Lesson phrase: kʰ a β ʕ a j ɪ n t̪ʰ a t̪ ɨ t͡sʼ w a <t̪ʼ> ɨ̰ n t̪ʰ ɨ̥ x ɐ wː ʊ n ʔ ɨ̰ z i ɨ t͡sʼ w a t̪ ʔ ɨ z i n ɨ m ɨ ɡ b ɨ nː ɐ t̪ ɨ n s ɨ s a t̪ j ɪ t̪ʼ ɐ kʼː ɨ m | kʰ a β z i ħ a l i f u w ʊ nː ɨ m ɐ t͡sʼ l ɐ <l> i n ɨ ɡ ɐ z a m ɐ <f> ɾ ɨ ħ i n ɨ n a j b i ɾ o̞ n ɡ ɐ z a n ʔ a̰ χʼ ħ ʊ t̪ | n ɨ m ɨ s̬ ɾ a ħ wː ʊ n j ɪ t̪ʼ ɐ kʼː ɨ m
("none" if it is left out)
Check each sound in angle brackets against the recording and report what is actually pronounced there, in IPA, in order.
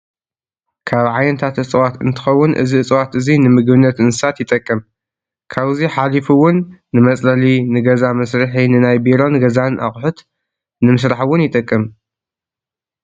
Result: t̪, l, s

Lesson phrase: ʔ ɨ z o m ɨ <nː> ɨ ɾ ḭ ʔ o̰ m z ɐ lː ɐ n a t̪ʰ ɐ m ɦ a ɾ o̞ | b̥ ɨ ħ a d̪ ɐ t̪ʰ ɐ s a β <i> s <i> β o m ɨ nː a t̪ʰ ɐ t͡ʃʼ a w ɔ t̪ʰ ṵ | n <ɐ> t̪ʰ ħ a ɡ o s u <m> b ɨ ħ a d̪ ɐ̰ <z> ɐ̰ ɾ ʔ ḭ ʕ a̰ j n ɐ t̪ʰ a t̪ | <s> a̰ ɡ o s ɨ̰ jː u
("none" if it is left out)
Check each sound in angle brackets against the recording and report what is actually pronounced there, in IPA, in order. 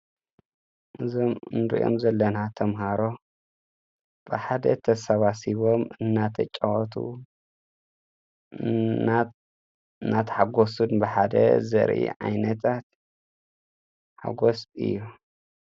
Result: n, a, i, a, n, z, ħ

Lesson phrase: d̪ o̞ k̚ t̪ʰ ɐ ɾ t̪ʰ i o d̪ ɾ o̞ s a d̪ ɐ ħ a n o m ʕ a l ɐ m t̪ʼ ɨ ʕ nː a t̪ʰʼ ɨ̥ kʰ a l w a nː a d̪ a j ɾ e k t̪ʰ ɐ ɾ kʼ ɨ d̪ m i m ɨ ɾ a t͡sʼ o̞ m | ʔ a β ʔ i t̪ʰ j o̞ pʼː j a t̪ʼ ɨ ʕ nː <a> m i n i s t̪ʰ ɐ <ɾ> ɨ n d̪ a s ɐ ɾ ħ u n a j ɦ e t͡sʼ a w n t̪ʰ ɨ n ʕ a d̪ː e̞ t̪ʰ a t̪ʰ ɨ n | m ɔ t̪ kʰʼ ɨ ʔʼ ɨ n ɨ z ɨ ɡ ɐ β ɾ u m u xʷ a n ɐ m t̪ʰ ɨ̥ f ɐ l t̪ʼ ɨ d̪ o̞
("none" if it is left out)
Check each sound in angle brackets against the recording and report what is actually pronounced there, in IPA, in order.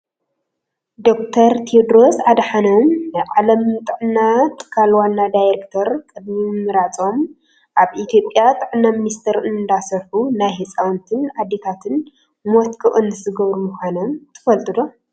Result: a, ɾ

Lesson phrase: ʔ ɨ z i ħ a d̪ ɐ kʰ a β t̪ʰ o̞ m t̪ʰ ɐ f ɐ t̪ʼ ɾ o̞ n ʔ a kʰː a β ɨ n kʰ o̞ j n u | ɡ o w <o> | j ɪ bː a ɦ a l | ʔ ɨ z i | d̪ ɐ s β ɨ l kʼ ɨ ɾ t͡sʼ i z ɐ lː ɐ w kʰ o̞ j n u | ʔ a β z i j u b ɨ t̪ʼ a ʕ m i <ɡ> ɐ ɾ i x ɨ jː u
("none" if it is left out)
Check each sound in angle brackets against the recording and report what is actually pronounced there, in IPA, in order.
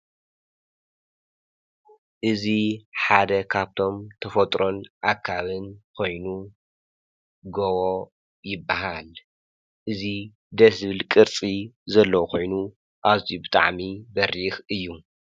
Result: o, b

